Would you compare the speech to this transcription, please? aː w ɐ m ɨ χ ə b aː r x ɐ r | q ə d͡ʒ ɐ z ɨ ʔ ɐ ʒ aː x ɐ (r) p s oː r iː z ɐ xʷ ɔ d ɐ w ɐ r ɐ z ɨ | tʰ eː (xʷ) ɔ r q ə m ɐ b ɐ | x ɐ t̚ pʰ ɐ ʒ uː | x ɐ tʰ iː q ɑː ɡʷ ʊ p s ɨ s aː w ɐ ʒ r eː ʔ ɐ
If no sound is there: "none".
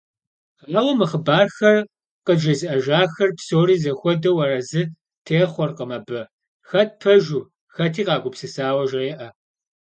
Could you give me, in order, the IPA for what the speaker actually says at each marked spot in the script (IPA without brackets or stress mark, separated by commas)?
r, χʷ